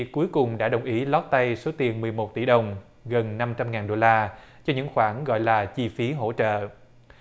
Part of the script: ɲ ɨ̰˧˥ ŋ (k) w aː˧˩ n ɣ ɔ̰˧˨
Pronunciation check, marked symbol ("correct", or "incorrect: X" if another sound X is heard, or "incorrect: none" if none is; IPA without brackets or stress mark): incorrect: x